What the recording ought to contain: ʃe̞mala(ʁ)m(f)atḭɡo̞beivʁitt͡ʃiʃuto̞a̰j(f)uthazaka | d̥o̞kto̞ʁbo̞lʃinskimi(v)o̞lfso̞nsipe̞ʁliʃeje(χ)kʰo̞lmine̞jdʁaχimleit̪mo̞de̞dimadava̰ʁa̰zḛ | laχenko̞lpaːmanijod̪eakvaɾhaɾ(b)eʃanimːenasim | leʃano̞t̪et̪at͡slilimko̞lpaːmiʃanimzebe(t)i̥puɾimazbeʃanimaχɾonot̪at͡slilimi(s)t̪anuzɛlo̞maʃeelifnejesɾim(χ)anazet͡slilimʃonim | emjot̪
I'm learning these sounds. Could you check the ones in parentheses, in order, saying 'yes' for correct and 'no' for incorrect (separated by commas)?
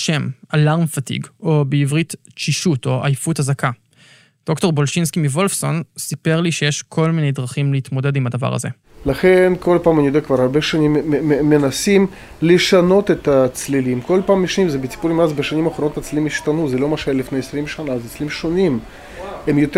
yes, yes, yes, yes, no, yes, no, no, no